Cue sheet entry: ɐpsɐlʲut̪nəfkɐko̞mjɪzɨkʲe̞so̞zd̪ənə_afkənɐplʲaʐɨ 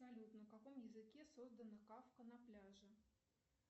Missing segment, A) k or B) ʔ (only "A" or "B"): A